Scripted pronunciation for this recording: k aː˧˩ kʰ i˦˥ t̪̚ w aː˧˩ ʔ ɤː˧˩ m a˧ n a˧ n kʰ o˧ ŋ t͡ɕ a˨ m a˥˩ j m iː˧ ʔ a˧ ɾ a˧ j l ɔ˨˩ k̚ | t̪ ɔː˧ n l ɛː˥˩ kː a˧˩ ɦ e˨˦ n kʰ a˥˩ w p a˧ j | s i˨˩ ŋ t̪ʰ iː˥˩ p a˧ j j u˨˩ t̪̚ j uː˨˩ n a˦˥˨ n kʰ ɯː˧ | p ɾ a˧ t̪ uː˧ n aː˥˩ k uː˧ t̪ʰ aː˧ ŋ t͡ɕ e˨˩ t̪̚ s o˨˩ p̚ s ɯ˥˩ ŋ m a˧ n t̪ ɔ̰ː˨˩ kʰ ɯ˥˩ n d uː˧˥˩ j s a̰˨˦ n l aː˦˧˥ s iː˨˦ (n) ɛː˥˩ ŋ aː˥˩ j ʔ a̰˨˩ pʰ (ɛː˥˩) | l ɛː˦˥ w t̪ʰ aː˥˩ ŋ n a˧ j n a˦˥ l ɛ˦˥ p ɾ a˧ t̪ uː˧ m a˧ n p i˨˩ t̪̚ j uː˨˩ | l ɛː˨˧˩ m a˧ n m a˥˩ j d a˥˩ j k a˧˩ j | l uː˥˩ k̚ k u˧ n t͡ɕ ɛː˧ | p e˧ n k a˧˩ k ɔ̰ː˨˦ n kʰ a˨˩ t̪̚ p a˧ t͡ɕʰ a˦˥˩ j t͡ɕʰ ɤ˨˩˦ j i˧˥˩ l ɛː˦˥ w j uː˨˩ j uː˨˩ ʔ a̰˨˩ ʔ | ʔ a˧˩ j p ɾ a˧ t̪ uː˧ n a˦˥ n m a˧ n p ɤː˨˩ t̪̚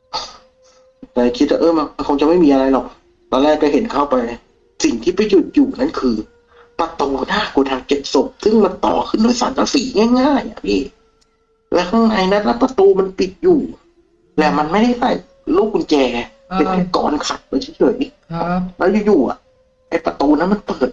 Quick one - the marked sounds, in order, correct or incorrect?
incorrect, incorrect

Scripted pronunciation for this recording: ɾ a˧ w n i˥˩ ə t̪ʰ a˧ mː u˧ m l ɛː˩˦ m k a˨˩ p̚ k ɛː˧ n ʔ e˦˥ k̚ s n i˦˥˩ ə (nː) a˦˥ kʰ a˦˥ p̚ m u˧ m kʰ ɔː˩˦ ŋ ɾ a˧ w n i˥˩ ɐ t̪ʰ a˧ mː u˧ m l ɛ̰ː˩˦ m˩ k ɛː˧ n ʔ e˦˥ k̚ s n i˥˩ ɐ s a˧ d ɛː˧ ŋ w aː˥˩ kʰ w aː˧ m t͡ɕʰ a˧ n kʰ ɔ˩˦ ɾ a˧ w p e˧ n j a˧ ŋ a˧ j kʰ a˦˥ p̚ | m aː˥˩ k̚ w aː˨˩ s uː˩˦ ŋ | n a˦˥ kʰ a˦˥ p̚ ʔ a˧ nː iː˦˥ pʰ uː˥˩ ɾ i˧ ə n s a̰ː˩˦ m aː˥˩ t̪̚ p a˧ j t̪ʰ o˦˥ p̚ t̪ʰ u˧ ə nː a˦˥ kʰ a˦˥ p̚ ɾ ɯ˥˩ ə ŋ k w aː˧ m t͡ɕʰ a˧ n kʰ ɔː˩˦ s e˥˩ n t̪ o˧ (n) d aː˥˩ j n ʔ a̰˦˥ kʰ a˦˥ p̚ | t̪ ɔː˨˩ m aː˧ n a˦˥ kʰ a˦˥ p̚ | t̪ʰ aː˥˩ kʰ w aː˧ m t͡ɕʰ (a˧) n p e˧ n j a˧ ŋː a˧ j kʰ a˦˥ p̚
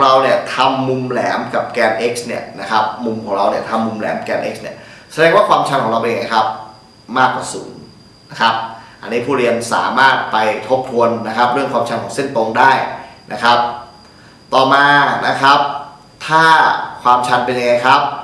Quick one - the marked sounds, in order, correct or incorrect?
incorrect, incorrect, correct

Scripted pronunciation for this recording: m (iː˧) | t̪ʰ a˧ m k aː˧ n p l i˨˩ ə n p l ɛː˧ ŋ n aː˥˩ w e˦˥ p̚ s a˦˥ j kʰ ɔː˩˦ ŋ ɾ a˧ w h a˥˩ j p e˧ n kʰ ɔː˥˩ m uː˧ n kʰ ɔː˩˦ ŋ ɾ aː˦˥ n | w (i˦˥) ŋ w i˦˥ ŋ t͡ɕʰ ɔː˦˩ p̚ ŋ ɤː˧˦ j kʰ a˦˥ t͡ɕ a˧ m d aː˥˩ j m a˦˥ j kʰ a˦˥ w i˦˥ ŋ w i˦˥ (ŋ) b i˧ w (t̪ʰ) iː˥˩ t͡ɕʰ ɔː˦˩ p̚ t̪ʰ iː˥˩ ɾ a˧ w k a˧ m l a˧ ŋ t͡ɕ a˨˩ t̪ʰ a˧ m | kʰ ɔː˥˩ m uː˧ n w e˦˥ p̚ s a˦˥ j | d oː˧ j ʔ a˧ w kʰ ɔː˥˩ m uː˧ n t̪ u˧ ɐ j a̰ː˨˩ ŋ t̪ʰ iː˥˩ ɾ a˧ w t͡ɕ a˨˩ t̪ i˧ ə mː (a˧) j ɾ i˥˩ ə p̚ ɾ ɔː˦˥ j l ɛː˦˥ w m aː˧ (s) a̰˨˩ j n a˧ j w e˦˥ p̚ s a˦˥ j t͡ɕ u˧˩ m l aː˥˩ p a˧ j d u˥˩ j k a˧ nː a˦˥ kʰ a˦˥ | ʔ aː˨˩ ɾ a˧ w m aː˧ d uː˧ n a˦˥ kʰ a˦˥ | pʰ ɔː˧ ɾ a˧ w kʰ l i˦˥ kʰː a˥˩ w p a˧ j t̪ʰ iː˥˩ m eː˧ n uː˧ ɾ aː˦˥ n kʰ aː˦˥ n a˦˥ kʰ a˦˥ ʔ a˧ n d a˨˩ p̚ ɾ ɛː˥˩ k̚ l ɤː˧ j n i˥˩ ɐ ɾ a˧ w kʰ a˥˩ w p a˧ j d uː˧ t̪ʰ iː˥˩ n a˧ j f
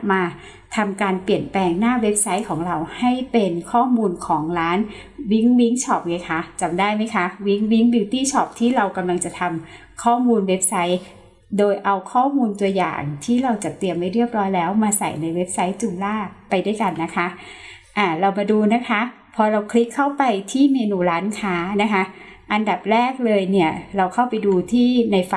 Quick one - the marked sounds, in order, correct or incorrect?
incorrect, correct, correct, incorrect, incorrect, correct

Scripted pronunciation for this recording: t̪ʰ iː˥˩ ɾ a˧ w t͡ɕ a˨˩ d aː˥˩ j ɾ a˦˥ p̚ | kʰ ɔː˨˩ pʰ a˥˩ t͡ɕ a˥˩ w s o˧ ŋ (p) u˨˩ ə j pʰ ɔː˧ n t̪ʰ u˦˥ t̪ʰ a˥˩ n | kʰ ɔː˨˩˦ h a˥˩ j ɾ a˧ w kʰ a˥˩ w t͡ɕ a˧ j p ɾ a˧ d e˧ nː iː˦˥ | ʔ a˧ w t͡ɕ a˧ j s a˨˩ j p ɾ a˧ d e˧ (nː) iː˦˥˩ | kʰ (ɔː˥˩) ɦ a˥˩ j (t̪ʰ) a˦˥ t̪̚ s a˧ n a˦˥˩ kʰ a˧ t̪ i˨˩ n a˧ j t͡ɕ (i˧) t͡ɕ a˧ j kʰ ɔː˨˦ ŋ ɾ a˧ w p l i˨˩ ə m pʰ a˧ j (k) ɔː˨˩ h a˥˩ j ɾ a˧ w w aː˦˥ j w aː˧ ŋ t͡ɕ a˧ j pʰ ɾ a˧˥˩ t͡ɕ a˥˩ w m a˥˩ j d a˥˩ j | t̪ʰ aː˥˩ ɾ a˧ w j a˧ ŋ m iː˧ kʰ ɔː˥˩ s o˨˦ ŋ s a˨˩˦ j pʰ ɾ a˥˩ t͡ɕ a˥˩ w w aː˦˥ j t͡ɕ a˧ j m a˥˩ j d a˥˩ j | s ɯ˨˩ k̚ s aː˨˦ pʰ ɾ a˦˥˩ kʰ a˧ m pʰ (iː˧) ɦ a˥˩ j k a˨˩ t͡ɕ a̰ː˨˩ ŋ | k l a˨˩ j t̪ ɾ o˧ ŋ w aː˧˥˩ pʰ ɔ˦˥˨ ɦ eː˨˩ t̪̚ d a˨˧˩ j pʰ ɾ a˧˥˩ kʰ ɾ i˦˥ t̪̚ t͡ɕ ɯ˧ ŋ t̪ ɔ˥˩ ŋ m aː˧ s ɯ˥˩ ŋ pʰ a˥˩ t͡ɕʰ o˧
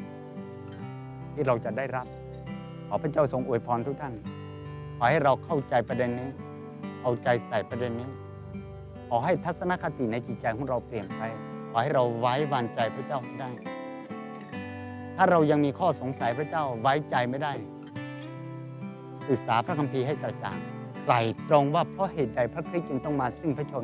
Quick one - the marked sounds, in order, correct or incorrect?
incorrect, correct, incorrect, correct, incorrect, incorrect, correct

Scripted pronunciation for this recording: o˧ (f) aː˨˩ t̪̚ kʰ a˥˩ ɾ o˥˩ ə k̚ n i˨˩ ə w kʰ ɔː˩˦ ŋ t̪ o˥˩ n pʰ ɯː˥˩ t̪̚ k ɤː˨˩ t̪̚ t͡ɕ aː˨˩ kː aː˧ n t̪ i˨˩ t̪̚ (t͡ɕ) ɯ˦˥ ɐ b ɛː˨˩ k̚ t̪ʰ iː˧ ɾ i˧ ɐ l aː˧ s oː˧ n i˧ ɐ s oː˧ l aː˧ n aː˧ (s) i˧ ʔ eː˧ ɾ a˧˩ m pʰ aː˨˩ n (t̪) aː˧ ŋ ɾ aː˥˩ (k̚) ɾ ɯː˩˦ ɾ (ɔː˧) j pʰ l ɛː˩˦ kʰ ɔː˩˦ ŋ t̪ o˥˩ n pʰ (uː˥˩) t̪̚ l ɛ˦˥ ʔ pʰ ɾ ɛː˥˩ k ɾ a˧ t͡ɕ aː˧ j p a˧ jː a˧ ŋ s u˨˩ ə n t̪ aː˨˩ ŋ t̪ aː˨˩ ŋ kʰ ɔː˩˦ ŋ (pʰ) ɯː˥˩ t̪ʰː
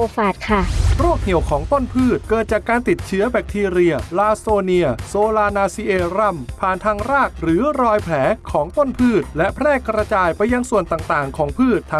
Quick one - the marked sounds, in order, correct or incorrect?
correct, incorrect, correct, incorrect, correct, correct, incorrect, correct

